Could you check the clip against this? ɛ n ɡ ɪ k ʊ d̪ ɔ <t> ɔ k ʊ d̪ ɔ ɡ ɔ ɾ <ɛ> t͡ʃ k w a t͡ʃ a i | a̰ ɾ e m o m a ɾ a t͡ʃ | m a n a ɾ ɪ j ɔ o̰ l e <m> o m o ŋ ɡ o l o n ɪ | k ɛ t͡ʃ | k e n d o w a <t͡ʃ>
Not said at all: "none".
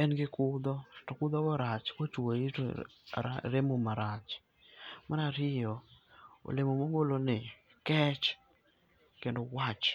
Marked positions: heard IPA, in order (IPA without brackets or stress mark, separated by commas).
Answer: t, a, m, t͡ʃ